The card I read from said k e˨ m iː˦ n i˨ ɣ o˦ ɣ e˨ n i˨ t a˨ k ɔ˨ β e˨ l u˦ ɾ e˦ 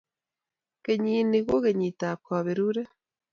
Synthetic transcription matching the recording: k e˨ ɲ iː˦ n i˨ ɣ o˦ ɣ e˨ ɲ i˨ t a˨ k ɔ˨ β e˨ ɾ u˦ ɾ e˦